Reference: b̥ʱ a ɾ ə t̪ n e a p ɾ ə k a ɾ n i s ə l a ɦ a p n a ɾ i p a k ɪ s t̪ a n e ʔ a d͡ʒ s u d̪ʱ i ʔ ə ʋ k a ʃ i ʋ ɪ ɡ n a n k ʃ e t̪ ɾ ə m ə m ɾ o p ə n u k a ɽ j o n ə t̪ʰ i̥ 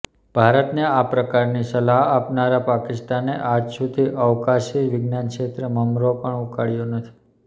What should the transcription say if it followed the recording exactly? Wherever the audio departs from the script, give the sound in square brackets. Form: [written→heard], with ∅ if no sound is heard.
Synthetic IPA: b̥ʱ a ɾ ə t̪ n e a p ɾ ə k a ɾ n i s ə l a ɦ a p n a ɾ [i→a] p a k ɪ s t̪ a n e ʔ a d͡ʒ s u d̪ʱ i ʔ ə ʋ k a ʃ i ʋ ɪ ɡ n a n k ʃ e t̪ ɾ ə m ə m ɾ o p ə [n→ɳ] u k a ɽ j o n ə t̪ʰ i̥

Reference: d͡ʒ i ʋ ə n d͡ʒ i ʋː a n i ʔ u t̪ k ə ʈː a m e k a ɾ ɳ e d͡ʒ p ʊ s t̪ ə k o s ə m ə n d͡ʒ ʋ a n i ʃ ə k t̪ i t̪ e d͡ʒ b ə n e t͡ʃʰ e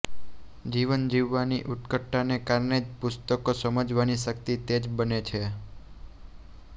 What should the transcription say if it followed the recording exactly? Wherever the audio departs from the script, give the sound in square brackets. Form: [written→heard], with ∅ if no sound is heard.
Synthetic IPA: d͡ʒ i ʋ ə n d͡ʒ i ʋː a n i ʔ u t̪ k ə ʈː a [m→n] e k a ɾ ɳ e d͡ʒ p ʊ s t̪ ə k o s ə m ə [n→∅] d͡ʒ ʋ a n i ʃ ə k t̪ i t̪ e d͡ʒ b ə n e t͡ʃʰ e

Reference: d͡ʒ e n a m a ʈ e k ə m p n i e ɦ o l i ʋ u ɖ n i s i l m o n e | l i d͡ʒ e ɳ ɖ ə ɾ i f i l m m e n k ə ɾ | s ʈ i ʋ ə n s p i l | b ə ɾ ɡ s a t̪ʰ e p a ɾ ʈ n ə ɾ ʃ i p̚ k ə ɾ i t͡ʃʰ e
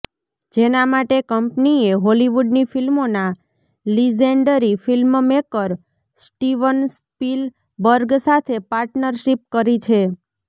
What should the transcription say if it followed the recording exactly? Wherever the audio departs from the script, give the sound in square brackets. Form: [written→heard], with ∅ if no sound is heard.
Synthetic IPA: d͡ʒ e n a m a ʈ e k ə m p n i e ɦ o l i ʋ u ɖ n i [s→f] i l m o n [e→a] | l i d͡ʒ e ɳ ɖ ə ɾ i f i l m m e [n→∅] k ə ɾ | s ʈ i ʋ ə n s p i l | b ə ɾ ɡ s a t̪ʰ e p a ɾ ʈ n ə ɾ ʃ i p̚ k ə ɾ i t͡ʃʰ e

